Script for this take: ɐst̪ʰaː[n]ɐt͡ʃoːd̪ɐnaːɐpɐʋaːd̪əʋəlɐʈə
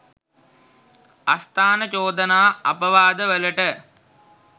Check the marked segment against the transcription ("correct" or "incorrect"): correct